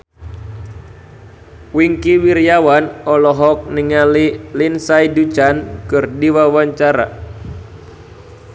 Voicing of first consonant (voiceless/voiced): voiced